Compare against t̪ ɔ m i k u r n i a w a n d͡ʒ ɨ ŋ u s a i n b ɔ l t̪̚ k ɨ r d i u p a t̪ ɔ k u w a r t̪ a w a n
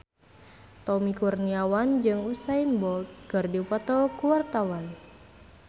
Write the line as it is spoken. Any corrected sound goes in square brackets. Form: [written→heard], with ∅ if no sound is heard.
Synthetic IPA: t̪ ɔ m i k u r n i a w a n d͡ʒ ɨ ŋ u s a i n b ɔ l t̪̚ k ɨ r d i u p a t̪ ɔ k u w a r t̪ a w a n